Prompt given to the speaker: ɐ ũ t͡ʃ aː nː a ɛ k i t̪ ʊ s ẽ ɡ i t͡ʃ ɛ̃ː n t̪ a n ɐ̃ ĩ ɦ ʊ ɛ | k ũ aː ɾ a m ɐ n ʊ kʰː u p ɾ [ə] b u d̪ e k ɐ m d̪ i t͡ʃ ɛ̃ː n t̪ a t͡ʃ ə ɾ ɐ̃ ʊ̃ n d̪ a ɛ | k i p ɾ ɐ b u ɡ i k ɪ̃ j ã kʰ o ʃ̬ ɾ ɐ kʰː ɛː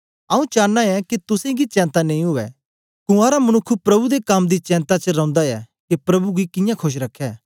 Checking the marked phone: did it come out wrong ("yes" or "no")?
yes